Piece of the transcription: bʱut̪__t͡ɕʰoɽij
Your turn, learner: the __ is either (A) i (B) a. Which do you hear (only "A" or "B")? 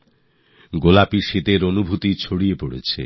A